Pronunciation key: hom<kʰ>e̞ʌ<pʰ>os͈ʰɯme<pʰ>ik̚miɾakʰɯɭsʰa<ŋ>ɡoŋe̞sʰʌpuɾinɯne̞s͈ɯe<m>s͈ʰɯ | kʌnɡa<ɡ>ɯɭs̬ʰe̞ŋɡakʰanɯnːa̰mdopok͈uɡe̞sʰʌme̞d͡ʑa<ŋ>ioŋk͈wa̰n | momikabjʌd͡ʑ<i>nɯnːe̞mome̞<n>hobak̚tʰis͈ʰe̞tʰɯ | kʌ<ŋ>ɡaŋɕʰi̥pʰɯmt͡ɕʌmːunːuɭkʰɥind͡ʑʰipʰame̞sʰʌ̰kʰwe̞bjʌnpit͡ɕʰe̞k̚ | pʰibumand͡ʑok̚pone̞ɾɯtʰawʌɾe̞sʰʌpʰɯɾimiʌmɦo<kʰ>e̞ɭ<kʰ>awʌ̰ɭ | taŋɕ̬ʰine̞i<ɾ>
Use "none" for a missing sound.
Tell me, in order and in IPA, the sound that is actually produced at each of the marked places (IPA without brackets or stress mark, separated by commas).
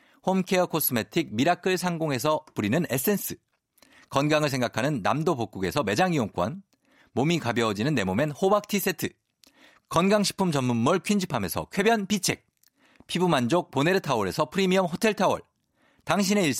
kʰ, kʰ, tʰ, ŋ, n, ŋ, ŋ, i, n, n, tʰ, tʰ, ɭ